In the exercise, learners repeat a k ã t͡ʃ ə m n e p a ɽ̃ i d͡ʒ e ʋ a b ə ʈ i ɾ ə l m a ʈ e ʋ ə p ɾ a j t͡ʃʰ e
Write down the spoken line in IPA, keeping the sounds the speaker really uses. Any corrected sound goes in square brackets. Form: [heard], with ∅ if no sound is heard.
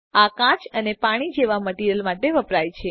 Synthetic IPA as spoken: a k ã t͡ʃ ə [∅] n e p a ɽ̃ i d͡ʒ e ʋ a [m] ə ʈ i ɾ ə l m a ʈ e ʋ ə p ɾ a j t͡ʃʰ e